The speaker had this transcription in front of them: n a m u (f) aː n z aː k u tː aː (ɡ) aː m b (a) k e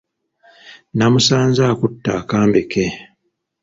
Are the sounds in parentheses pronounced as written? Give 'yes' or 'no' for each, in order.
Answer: no, no, no

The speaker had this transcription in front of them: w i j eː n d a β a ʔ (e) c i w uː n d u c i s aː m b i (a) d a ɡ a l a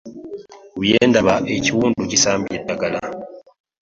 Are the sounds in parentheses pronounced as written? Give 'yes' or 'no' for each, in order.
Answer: yes, no

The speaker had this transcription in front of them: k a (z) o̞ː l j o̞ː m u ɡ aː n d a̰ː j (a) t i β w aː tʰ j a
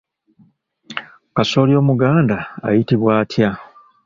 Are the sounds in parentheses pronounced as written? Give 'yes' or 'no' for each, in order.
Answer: no, no

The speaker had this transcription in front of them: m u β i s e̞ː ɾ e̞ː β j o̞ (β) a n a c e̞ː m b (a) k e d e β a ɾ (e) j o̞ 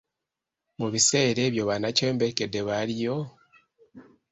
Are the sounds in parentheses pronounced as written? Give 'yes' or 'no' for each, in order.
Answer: yes, no, no

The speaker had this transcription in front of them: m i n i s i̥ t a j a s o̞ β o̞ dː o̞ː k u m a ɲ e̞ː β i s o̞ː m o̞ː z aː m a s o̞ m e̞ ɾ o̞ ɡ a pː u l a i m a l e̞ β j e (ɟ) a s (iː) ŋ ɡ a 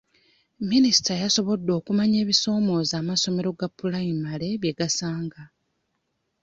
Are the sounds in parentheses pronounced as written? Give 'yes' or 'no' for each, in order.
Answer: no, no

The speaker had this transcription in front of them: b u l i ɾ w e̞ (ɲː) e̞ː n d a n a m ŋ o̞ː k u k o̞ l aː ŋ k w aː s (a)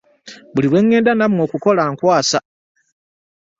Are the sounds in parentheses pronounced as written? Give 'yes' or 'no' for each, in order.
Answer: no, yes

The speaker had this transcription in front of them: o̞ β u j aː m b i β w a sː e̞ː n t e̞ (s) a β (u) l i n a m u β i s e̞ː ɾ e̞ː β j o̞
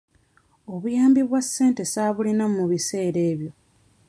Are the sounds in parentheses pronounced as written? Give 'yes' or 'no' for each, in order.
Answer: yes, yes

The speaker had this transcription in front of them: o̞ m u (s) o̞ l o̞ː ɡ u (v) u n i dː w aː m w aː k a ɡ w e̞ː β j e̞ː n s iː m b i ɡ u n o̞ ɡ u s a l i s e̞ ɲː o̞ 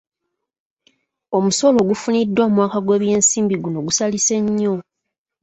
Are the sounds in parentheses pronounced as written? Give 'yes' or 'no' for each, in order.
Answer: yes, no

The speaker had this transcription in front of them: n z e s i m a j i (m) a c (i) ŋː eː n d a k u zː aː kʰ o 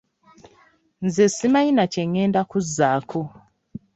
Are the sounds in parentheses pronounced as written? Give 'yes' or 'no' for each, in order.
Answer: no, no

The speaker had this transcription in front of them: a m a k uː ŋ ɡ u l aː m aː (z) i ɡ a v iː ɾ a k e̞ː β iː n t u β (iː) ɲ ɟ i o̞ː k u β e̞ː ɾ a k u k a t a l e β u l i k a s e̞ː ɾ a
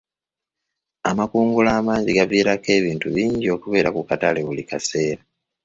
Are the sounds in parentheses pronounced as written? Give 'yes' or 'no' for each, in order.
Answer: yes, yes

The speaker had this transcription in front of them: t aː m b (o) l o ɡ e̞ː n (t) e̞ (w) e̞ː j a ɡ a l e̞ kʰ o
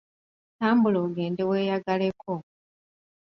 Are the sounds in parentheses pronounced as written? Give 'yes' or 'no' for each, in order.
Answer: no, no, yes

